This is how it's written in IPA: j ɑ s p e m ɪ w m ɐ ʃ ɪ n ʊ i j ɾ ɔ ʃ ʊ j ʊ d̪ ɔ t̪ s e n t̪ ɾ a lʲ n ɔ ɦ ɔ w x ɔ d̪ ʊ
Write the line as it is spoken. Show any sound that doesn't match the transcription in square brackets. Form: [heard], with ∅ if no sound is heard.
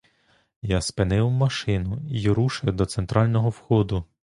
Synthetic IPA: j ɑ s p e [n] ɪ w m ɐ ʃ ɪ n ʊ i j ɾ [u] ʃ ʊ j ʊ d̪ ɔ t̪ s e n t̪ ɾ [ɑ] lʲ n ɔ ɦ ɔ w x ɔ d̪ ʊ